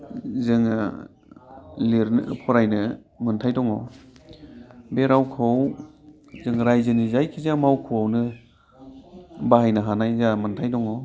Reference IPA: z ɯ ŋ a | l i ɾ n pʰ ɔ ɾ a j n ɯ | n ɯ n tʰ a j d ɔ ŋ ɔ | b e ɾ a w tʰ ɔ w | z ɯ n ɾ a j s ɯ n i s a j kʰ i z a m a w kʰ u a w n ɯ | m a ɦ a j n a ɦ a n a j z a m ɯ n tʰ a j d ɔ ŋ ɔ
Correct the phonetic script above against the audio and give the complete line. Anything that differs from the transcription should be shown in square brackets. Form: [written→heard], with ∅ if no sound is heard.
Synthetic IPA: z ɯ ŋ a | l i ɾ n pʰ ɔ ɾ a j n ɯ | [n→m] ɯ n tʰ a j d ɔ ŋ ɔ | b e ɾ a w [tʰ→kʰ] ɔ w | z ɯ [n→ŋ] ɾ a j [s→z] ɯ n i [s→z] a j kʰ i z a m a w kʰ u a w n ɯ | [m→b] a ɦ a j n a ɦ a n a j z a m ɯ n tʰ a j d ɔ ŋ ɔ